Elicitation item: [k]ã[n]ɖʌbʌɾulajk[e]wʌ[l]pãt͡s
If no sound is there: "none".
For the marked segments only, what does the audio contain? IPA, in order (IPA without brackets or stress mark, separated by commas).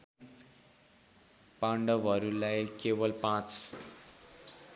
p, ɳ, e, l